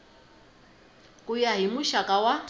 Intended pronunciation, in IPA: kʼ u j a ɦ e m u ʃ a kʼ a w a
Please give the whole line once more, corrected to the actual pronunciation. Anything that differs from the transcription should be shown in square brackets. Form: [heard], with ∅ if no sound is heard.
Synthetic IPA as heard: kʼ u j a ɦ [i] m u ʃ a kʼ a w a